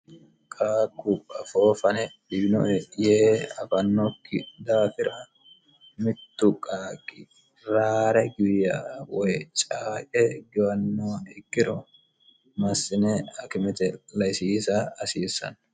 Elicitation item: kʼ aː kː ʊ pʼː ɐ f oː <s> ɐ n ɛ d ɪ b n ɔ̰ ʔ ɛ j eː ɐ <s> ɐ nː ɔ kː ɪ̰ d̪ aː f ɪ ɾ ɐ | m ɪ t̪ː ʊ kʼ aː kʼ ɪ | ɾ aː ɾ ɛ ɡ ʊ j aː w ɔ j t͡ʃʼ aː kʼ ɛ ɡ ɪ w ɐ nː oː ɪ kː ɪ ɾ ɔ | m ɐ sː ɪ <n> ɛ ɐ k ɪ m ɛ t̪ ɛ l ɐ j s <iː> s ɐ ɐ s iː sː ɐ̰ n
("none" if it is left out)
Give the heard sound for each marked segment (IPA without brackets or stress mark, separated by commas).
f, f, n, iː